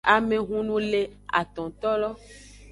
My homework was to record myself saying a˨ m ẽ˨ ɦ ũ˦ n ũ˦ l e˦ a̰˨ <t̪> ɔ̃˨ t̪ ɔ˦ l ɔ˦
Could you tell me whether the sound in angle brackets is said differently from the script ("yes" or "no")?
no